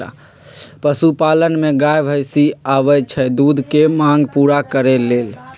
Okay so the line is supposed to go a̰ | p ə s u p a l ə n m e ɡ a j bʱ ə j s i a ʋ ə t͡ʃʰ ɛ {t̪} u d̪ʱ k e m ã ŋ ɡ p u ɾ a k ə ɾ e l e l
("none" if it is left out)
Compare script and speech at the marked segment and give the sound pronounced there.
d̪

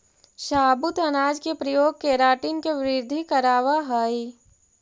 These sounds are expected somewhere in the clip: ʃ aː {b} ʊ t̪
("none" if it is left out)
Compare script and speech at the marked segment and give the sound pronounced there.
b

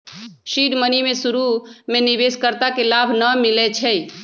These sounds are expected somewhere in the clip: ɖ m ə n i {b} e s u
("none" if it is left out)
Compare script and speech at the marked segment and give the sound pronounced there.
m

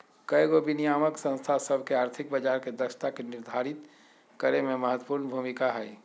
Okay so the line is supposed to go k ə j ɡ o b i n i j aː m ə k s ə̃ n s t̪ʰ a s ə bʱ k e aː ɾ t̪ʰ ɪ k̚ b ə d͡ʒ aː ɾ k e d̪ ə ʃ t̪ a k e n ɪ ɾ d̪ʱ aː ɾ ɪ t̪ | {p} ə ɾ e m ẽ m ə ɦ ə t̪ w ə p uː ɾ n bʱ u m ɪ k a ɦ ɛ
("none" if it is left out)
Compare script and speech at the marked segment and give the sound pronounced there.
k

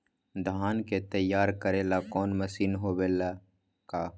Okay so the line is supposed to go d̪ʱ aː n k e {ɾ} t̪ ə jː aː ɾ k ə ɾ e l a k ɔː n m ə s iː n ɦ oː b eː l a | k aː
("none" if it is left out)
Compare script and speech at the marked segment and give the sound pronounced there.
none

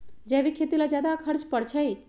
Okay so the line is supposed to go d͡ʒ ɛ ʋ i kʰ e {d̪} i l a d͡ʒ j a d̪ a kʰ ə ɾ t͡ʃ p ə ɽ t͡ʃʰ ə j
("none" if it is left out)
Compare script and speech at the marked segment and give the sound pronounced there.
t̪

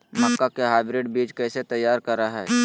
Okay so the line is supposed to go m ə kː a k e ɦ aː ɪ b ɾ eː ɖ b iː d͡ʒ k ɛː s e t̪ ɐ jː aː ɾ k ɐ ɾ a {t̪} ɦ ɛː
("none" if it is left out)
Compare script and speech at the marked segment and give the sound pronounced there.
none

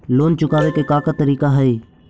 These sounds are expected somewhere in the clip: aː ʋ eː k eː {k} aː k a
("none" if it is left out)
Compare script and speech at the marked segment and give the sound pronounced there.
k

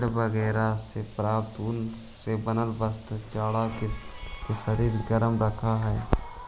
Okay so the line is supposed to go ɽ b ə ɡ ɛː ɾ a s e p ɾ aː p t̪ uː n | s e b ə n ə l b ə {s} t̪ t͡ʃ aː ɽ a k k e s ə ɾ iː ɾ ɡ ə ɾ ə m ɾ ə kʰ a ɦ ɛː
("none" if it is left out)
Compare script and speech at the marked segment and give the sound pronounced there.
s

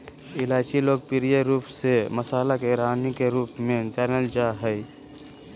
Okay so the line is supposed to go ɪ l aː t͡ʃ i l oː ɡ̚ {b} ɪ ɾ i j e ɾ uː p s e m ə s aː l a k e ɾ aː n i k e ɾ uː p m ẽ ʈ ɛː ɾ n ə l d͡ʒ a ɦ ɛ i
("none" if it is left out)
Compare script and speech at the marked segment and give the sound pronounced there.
p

